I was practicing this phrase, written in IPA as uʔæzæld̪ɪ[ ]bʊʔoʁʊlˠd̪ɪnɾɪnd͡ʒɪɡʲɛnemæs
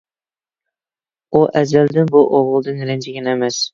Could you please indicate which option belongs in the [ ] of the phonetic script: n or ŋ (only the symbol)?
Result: n